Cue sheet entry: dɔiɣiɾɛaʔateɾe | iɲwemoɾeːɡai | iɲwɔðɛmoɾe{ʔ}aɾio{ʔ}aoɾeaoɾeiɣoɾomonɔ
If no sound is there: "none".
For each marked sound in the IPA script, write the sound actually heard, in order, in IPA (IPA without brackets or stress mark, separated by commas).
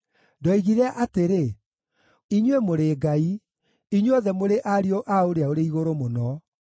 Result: ʔ, ʔ